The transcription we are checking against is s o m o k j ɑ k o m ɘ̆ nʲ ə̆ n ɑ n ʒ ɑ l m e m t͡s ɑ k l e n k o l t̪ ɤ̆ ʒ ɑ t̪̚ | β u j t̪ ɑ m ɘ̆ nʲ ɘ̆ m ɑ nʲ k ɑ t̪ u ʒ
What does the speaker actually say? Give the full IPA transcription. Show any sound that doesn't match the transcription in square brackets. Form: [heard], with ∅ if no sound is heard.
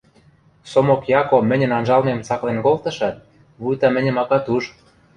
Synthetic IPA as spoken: s o m o k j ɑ k o m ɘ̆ nʲ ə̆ n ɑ n ʒ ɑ l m e m t͡s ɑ k l e n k o l t̪ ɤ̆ [ʃ] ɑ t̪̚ | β u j t̪ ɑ m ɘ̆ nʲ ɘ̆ m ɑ [∅] k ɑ t̪ u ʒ